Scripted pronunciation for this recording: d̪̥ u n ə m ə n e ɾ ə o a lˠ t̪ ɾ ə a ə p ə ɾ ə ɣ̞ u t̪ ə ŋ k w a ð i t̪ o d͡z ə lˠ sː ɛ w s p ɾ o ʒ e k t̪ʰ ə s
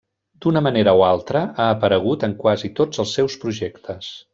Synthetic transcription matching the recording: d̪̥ u n ə m ə n e ɾ ə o a lˠ t̪ ɾ ə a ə p ə ɾ ə ɣ̞ u t̪ ə ŋ k w a z i t̪ o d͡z ə lˠ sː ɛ w s p ɾ u ʒ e k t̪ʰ ə s